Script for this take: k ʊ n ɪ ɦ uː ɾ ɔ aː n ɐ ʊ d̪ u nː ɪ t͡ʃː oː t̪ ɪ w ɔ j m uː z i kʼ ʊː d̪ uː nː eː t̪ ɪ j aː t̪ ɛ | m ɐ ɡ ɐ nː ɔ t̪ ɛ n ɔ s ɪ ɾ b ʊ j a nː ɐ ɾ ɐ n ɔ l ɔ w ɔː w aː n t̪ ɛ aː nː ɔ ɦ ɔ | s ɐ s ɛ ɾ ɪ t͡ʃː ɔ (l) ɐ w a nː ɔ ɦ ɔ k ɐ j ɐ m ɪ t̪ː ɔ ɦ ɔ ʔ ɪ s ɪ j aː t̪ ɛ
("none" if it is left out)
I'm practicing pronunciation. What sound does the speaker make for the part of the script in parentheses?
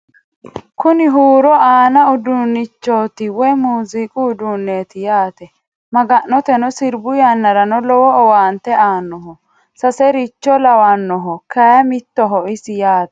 l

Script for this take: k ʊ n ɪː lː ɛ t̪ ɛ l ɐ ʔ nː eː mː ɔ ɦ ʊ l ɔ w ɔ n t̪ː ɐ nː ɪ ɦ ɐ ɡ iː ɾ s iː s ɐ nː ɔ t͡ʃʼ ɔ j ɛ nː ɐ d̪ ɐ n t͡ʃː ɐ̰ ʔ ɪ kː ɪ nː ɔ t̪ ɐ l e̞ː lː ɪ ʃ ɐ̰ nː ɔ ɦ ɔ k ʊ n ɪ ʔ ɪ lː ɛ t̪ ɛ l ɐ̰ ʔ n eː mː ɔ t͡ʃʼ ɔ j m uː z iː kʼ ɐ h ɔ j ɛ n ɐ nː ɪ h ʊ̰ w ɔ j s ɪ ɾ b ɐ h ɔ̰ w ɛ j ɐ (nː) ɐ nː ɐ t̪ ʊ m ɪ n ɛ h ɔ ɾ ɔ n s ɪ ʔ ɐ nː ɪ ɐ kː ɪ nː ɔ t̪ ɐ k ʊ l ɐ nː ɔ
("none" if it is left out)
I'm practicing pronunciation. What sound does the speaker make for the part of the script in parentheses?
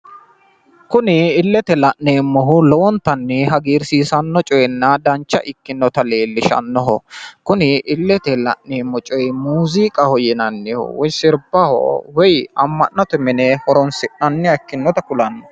mː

